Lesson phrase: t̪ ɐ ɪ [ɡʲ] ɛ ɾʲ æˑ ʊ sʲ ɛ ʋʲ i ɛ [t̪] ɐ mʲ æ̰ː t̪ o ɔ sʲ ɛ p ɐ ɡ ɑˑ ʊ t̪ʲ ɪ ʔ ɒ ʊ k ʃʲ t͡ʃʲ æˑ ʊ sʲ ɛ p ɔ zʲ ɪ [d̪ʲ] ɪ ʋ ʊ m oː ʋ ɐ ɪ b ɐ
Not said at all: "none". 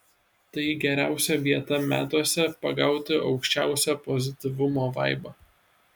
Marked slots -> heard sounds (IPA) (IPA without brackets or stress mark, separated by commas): ɡʲ, t̪, t̪ʲ